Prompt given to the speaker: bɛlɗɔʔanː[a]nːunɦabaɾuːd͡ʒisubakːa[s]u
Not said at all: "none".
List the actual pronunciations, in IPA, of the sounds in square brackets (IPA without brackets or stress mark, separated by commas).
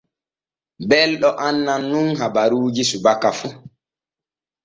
a, f